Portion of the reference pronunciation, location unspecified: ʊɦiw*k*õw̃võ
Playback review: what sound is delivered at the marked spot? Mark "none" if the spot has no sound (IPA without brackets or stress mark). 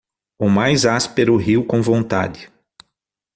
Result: k